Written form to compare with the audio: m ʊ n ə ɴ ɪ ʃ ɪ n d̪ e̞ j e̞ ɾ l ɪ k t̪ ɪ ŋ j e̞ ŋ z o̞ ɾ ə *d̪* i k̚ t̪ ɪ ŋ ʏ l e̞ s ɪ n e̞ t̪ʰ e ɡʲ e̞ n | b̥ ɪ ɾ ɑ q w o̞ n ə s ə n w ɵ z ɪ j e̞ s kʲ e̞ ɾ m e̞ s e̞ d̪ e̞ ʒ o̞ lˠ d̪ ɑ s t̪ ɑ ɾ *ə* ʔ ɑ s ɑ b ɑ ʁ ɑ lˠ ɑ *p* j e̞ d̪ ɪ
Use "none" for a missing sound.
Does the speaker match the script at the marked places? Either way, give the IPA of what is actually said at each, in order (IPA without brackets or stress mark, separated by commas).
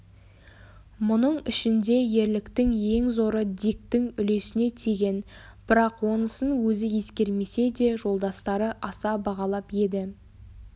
d̪, ə, p